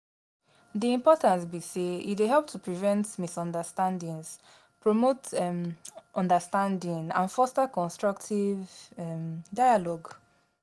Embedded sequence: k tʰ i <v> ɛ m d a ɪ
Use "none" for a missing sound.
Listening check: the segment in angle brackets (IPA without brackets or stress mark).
v